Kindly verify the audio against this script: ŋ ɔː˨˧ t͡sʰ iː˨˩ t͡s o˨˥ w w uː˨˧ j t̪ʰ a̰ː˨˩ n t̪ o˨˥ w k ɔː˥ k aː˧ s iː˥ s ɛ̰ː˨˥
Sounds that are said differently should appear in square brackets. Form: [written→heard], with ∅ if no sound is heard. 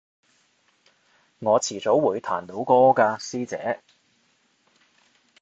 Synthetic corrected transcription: ŋ ɔː˨˧ t͡sʰ iː˨˩ t͡s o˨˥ w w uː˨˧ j t̪ʰ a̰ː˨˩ n t̪ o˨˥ w k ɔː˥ k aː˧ s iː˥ [s→t͡s] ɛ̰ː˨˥